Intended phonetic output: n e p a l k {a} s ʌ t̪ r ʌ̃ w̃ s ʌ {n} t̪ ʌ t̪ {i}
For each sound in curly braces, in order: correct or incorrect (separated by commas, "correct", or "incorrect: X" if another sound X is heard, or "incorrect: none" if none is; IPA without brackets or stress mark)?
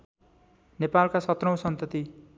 correct, correct, correct